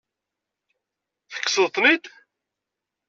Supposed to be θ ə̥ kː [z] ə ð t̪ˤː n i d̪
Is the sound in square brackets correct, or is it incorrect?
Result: incorrect